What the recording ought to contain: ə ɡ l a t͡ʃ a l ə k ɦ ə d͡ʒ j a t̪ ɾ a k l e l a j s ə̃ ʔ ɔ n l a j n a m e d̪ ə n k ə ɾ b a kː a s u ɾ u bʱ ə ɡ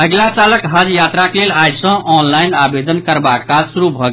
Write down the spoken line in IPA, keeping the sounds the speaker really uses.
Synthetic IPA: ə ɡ l a t͡ʃ a l ə k ɦ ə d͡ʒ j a t̪ ɾ a k l e l a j s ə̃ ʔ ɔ n l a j n a b e d̪ ə n k ə ɾ b a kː a s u ɾ u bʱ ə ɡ

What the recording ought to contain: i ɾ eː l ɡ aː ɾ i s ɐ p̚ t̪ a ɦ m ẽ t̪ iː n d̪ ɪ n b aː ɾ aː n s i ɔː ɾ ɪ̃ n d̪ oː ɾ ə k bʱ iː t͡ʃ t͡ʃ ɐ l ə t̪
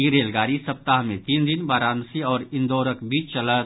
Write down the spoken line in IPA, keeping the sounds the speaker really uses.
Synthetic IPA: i ɾ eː l ɡ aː ɾ i s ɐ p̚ t̪ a ɦ m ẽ t̪ iː n d̪ ɪ n b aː ɾ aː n s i ɔː ɾ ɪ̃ n d̪ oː ɾ ə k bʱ iː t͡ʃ t͡ʃ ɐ l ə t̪

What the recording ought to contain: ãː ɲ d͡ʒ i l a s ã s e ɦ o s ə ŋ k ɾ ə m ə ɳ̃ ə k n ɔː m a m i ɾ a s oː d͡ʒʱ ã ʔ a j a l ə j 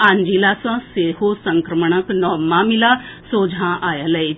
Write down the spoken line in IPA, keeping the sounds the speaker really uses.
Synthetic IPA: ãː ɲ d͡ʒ i l a s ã s e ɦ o s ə ŋ k ɾ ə m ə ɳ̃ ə k n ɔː m a m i l a s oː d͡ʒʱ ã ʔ a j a l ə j

